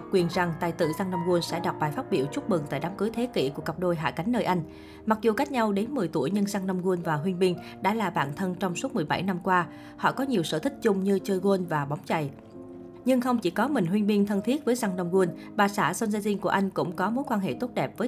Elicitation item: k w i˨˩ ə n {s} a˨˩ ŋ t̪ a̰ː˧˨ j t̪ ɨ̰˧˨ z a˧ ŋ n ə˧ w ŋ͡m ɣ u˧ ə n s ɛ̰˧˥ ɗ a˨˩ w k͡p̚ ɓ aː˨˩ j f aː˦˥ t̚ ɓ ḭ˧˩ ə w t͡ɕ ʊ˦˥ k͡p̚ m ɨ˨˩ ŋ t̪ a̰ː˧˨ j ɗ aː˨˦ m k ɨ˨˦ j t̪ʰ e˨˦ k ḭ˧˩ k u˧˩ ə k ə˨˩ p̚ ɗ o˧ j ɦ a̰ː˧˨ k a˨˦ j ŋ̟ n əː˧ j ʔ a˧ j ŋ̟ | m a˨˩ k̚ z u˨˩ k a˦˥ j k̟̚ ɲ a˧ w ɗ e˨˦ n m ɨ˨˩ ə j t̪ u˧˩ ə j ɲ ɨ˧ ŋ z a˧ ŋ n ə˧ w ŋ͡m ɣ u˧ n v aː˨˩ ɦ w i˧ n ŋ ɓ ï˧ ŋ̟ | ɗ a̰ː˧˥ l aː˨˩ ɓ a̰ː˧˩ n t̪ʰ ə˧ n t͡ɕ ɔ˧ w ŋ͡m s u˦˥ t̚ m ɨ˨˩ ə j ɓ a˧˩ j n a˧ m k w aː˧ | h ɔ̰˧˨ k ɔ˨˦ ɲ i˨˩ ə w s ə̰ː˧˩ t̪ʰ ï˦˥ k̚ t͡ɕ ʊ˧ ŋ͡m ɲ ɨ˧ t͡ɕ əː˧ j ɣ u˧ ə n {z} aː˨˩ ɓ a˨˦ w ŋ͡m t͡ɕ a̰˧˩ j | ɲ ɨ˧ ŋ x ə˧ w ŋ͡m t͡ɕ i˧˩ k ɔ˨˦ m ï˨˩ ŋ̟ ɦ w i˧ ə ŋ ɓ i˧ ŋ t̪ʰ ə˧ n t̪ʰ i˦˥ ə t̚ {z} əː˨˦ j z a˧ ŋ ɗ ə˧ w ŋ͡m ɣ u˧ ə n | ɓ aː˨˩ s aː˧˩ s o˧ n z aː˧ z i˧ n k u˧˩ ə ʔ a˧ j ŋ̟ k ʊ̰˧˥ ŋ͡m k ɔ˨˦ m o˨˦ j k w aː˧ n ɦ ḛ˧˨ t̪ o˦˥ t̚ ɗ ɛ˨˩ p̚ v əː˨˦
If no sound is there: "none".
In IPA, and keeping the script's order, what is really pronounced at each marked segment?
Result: z, v, v

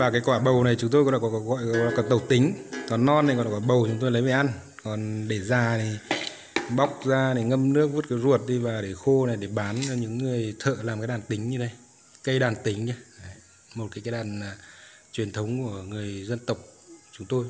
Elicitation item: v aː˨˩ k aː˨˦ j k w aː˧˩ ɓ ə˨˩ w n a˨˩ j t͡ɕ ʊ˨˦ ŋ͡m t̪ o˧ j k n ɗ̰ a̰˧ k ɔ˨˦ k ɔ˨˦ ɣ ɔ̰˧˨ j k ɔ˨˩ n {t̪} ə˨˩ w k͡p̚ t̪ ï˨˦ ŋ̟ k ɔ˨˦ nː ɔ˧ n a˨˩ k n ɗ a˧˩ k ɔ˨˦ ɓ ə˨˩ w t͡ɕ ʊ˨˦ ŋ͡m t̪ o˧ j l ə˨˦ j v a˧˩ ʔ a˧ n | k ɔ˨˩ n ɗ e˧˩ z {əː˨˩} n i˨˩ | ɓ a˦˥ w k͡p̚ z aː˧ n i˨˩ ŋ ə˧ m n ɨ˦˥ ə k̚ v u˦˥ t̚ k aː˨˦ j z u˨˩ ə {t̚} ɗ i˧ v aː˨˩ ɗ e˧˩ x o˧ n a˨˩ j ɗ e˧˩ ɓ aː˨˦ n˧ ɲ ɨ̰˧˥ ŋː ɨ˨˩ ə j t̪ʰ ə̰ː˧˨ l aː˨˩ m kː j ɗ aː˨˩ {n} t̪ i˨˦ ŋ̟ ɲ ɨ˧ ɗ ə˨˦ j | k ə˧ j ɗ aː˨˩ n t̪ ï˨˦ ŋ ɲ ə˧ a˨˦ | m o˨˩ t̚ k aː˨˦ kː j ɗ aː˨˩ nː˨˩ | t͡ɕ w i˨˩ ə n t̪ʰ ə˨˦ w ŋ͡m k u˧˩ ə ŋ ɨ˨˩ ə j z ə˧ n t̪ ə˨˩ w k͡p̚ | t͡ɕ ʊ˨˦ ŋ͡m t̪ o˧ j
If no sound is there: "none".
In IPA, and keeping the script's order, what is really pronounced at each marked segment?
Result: t̪, aː˨˩, t̚, n

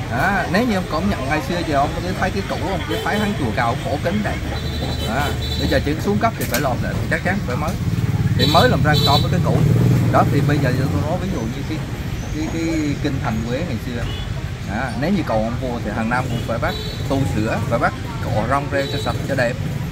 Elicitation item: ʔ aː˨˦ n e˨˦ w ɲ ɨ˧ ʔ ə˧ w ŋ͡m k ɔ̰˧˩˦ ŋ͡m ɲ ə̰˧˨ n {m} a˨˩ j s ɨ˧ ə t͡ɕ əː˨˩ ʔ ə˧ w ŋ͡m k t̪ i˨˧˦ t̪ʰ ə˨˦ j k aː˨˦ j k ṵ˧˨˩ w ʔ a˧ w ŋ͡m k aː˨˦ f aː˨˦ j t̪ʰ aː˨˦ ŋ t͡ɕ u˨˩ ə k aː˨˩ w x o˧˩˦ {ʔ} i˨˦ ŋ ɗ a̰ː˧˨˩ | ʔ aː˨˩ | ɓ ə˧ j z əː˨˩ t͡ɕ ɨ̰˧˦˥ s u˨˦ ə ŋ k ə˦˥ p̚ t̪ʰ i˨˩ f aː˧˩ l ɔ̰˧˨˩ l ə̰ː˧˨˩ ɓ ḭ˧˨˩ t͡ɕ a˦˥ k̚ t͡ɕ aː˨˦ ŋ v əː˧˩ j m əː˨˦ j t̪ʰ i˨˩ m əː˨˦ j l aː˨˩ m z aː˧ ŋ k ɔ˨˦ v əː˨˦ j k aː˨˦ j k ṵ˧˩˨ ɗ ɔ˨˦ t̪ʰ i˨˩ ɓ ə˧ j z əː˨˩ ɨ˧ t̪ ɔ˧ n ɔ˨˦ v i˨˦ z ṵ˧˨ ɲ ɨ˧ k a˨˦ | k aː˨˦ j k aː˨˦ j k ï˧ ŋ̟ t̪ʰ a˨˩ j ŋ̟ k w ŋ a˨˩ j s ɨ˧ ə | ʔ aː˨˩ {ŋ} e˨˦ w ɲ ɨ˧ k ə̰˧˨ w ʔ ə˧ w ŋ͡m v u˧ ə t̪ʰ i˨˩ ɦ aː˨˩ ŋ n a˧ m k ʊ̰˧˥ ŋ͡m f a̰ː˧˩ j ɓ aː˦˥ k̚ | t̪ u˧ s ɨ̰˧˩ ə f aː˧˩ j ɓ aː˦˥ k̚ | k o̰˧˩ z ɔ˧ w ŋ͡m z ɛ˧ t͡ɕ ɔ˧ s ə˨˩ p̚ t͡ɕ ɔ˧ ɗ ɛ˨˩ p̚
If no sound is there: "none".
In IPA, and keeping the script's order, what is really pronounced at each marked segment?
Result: ŋ, k, n

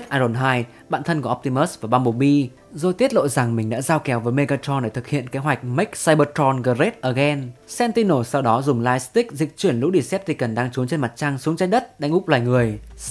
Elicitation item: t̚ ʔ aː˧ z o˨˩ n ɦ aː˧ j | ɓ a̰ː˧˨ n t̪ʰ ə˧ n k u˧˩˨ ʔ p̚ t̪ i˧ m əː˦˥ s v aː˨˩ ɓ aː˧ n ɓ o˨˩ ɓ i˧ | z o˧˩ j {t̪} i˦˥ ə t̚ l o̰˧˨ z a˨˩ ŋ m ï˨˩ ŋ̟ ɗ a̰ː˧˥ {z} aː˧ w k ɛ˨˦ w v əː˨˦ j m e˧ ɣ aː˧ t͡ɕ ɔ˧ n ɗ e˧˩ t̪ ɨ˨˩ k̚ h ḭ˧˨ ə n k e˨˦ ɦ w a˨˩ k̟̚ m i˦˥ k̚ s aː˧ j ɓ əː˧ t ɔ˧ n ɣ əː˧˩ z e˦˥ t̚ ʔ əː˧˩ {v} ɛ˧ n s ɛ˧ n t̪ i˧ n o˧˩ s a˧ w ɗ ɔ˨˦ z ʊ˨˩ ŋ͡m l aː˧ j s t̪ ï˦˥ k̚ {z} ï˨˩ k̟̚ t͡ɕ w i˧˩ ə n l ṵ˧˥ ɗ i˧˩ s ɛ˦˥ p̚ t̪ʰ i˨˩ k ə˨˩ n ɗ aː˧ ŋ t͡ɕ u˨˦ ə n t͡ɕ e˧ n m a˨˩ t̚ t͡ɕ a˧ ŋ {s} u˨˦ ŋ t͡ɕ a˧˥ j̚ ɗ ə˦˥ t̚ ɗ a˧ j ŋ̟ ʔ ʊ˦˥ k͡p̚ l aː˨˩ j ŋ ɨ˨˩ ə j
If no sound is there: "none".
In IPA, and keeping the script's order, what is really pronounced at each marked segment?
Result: t̪, z, ɣ, z, s

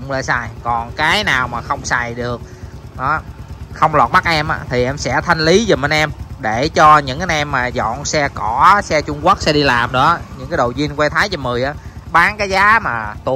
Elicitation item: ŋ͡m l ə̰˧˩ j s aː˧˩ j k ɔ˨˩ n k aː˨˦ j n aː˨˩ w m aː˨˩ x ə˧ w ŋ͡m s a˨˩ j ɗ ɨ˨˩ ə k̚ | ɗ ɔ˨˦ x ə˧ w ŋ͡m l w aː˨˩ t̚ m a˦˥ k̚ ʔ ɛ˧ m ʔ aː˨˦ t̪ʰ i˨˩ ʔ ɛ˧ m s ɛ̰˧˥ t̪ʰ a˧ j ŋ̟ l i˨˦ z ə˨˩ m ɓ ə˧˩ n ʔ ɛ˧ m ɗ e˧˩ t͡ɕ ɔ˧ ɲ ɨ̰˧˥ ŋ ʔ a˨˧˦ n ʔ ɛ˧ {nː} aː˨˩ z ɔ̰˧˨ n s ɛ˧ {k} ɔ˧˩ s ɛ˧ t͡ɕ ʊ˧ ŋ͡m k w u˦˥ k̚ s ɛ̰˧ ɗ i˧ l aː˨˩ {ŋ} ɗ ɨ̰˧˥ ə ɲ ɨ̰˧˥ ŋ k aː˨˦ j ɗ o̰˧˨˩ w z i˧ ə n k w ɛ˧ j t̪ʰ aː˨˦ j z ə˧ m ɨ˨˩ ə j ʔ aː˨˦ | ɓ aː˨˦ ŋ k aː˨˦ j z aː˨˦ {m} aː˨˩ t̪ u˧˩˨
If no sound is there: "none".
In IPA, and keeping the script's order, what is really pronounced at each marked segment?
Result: mː, k, m, m

